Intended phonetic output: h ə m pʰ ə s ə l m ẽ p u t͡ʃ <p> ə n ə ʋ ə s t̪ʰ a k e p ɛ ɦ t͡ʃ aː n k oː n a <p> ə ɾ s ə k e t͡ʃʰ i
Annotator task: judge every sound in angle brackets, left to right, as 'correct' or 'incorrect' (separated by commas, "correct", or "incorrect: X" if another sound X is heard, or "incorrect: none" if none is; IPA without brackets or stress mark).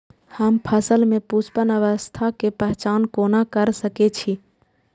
correct, incorrect: k